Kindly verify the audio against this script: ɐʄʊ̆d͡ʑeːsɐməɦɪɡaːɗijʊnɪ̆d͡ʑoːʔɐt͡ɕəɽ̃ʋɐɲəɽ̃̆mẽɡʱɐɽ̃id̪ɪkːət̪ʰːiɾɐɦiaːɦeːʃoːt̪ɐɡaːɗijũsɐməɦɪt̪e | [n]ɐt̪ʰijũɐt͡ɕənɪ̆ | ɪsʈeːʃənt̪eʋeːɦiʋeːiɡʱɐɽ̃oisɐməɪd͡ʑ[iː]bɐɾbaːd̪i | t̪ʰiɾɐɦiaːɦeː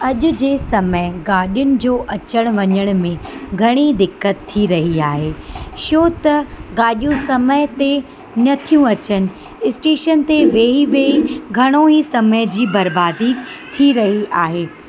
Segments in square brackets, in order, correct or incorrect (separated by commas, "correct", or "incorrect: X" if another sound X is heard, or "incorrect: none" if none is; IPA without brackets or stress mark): correct, correct